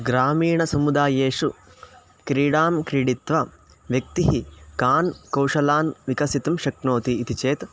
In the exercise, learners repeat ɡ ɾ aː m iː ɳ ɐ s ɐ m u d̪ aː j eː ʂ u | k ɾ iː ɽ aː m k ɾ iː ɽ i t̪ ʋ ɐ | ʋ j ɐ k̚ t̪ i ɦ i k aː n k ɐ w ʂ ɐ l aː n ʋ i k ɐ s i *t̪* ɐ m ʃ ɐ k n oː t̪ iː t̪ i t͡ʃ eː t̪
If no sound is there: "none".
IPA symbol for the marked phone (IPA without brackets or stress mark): t̪